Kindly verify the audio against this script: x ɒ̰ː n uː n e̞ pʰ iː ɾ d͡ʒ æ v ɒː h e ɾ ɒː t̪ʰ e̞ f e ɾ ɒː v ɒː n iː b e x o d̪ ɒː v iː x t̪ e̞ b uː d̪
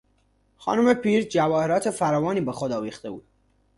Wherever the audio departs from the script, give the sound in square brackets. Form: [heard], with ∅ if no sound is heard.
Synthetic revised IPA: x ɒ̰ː n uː [m] e̞ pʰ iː ɾ d͡ʒ æ v ɒː h e ɾ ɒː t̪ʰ e̞ f [æ] ɾ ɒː v ɒː n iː b e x o d̪ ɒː v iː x t̪ e̞ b uː d̪